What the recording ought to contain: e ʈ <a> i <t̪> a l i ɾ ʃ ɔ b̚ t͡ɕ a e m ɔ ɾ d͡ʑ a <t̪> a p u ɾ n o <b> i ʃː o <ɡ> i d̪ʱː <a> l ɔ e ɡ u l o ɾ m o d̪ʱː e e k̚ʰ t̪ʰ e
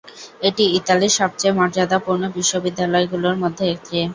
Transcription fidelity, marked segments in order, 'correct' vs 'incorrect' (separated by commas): incorrect, correct, incorrect, correct, incorrect, correct